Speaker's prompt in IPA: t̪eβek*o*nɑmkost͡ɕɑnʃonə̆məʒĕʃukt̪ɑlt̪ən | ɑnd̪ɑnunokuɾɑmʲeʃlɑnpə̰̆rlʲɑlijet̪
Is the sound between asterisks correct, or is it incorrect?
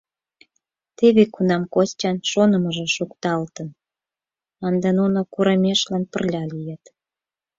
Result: incorrect